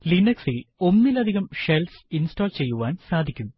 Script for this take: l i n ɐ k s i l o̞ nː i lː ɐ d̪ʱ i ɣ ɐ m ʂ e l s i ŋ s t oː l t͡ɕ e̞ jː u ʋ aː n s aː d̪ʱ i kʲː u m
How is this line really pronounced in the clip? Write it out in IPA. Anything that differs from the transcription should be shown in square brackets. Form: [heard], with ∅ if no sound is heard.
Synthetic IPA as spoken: l i n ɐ k s i l o̞ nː i [l] ɐ d̪ʱ i ɣ ɐ m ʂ e l s i [n] s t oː l t͡ɕ e̞ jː u ʋ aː n s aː d̪ʱ i kʲː u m